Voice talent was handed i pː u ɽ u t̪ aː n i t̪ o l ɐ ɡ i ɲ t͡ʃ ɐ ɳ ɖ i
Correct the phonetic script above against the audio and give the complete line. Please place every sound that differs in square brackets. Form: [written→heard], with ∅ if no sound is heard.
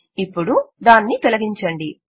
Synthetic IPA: i pː u ɽ u [t̪→d̪] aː [n→nː] i t̪ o l ɐ ɡ i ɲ t͡ʃ ɐ ɳ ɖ i